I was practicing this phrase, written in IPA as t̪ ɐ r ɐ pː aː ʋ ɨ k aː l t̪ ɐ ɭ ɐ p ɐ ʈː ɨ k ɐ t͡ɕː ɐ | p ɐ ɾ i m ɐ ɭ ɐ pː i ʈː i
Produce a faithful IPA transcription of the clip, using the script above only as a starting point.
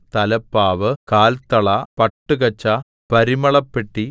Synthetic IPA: t̪ ɐ l ɐ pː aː ʋ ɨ k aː l t̪ ɐ ɭ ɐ p ɐ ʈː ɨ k ɐ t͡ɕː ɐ | p ɐ ɾ i m ɐ ɭ ɐ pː e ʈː i